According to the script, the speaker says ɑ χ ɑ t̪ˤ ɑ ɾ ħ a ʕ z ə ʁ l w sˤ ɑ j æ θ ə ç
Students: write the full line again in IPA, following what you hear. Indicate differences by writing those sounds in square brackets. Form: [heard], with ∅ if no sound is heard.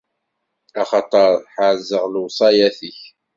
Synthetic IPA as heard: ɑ χ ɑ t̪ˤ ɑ ɾ ħ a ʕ z ə ʁ l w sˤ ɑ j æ θ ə ç